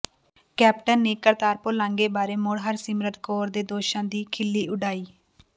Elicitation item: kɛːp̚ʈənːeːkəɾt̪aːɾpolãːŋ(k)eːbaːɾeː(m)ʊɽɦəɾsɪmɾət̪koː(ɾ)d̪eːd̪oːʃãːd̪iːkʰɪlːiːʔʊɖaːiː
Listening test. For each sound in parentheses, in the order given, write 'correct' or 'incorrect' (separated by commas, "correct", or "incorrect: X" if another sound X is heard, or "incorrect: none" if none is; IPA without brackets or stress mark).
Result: incorrect: ɡ, correct, correct